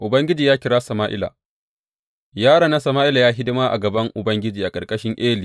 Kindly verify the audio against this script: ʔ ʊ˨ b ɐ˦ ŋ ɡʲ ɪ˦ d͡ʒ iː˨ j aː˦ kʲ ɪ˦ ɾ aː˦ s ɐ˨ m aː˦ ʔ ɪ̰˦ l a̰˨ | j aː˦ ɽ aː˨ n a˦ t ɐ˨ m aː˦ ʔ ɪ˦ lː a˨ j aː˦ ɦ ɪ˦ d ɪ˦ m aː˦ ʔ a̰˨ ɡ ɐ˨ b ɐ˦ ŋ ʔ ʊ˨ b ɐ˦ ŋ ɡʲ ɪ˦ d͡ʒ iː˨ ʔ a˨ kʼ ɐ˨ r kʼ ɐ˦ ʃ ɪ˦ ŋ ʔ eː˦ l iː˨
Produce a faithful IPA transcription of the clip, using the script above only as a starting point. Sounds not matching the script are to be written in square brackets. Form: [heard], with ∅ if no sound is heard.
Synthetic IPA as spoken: ʔ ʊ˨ b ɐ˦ ŋ ɡʲ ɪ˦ d͡ʒ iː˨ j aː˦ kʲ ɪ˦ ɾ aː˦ s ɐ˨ m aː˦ ʔ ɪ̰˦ l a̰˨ | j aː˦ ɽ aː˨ n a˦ [s] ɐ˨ m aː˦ ʔ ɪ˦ [l] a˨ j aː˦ ɦ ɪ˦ d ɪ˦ m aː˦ ʔ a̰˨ ɡ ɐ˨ b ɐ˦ ŋ ʔ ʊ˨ b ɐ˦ ŋ ɡʲ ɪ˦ d͡ʒ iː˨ ʔ a˨ kʼ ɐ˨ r kʼ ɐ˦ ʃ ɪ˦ ŋ ʔ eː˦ l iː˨

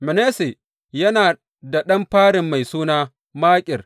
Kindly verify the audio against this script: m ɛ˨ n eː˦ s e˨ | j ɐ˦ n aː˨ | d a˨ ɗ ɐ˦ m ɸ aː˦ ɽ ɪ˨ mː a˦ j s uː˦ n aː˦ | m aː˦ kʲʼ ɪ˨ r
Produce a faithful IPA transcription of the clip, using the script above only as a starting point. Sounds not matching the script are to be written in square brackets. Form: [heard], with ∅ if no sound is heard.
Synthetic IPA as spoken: m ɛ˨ n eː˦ s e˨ | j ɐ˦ n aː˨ | d a˨ ɗ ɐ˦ m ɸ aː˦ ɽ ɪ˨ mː [a˨] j s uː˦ n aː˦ | m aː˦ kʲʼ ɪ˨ r

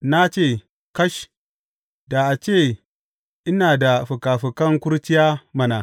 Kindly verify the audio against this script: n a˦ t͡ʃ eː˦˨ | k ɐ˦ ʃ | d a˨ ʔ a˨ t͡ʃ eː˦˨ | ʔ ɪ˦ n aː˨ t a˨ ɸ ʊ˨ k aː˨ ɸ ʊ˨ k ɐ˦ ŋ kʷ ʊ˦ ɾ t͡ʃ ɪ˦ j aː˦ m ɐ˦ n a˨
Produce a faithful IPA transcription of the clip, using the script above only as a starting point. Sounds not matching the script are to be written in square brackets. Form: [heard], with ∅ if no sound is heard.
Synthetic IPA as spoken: n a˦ t͡ʃ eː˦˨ | k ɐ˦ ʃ | d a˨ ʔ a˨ t͡ʃ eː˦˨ | ʔ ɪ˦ n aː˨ [d] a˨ ɸ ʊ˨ k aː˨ ɸ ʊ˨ k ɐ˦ ŋ kʷ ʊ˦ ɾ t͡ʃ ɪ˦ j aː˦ m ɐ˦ n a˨

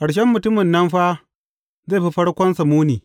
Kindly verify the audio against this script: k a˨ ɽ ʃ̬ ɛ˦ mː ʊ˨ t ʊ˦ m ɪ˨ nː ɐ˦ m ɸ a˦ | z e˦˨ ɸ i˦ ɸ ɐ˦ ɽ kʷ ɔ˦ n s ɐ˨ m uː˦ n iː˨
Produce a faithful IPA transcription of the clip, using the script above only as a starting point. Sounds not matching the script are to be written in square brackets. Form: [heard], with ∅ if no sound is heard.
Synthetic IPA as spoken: k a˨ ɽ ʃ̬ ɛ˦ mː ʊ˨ t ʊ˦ m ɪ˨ nː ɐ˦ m ɸ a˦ | z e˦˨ ɸ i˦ ɸ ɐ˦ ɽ kʷ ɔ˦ n s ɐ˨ m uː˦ n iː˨

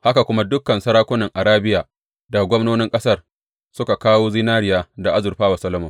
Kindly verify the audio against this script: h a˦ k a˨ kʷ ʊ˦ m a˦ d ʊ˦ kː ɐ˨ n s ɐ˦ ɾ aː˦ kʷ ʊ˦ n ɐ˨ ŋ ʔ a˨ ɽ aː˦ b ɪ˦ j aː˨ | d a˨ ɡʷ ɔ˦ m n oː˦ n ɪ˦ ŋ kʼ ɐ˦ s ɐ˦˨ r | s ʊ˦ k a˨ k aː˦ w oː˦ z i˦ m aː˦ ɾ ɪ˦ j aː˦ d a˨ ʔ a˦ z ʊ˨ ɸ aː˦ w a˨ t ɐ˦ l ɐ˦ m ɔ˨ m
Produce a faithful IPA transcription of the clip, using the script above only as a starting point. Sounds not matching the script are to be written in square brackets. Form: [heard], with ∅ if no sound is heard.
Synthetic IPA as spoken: h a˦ k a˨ kʷ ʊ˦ m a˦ d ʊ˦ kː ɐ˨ n s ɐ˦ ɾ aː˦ kʷ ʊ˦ n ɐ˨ ŋ ʔ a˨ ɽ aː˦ b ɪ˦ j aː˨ | d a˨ ɡʷ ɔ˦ m n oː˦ n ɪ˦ ŋ kʼ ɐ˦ s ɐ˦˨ r | s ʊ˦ k a˨ k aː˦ w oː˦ z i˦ [n] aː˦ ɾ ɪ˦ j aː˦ d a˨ ʔ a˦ z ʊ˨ ɸ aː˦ w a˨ [s] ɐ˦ l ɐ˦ m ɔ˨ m

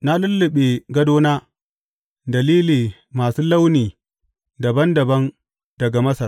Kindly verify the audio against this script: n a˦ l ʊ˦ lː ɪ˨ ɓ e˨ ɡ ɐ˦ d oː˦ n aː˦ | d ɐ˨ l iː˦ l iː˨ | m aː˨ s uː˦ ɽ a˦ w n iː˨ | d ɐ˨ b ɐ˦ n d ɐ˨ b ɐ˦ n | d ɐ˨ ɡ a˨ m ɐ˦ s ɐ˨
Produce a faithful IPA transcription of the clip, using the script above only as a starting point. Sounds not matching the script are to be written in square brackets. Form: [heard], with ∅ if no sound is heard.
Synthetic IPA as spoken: n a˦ l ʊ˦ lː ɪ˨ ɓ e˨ ɡ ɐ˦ d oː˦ n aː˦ | d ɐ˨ l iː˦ l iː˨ | m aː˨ s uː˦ [l] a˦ w n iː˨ | d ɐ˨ b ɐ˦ n d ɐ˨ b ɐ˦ n | d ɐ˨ ɡ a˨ m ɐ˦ s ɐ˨

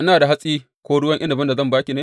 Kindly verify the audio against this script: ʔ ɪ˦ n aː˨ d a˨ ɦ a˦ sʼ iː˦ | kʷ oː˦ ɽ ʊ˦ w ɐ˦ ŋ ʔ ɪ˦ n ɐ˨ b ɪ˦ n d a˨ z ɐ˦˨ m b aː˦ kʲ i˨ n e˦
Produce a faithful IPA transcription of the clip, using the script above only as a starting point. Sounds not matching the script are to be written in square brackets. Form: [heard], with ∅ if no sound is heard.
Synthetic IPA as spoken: ʔ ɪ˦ n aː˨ d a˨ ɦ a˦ sʼ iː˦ | kʷ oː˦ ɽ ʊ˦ w ɐ˦ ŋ ʔ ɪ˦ n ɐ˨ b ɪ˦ n d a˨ z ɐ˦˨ m b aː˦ kʲ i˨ n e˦

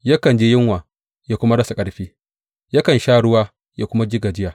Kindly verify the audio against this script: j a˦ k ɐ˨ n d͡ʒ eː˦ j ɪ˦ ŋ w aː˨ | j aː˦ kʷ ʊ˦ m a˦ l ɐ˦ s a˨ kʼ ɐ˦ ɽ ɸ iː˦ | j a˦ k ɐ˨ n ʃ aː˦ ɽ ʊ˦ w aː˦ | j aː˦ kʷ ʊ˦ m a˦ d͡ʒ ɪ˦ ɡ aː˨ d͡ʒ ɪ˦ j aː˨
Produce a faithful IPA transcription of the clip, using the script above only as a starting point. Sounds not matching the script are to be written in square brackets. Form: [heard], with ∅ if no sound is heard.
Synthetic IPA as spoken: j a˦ k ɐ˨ n d͡ʒ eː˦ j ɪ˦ ŋ w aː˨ | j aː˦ kʷ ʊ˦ m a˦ [ɽ] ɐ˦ s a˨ kʼ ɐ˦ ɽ ɸ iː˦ | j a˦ k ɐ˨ n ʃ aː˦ ɽ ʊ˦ w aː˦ | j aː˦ kʷ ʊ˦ m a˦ d͡ʒ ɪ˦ ɡ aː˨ d͡ʒ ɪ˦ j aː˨

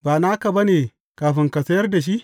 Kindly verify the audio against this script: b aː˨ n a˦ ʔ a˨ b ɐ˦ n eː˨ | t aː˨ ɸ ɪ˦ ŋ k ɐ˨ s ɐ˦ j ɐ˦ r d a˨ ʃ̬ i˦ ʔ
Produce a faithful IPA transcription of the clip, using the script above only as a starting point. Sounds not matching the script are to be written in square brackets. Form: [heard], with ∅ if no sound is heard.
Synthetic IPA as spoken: b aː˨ n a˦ [k] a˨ b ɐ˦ n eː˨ | [k] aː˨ ɸ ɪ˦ ŋ k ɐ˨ s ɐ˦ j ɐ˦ r d a˨ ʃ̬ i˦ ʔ

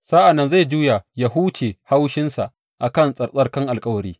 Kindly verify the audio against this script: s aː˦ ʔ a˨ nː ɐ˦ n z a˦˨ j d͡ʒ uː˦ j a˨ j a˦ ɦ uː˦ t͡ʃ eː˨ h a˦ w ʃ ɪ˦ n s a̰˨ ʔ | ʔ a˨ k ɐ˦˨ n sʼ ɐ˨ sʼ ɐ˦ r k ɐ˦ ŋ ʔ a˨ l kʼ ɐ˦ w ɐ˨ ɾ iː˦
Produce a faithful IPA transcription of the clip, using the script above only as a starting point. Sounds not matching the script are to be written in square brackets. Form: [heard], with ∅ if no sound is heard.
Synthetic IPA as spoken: s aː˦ ʔ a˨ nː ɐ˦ n z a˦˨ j d͡ʒ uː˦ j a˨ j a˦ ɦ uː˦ t͡ʃ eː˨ h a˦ w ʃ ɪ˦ n s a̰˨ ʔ | ʔ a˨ k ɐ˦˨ n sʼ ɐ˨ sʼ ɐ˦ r k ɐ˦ ŋ ʔ a˨ l kʼ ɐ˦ w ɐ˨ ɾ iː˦

